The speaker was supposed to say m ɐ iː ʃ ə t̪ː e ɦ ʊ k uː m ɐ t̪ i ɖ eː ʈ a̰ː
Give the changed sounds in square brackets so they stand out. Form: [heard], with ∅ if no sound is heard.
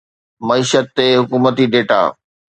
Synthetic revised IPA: m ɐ iː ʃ ə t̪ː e ɦ ʊ k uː m [ə] t̪ i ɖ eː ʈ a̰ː